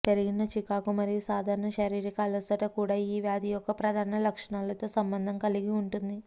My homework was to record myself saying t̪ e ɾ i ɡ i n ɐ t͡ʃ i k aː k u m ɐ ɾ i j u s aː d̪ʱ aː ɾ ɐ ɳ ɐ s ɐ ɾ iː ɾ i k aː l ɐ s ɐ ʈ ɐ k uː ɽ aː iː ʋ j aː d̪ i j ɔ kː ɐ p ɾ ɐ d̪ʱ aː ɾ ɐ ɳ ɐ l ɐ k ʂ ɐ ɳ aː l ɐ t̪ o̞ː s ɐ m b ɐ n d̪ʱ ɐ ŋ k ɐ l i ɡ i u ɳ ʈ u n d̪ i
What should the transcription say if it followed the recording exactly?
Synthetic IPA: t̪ e ɾ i ɡ i n ɐ t͡ʃ i k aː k u m ɐ ɾ i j u s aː d̪ʱ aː ɾ ɐ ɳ ɐ ʃ ɐ ɾ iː ɾ i k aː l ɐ s ɐ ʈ ɐ k uː ɽ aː iː ʋ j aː d̪ i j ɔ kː ɐ p ɾ ɐ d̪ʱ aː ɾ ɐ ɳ ɐ l ɐ k ʂ ɐ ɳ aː l ɐ t̪ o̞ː s ɐ m b ɐ n d̪ʱ ɐ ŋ k ɐ l i ɡ i u ɳ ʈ u n d̪ i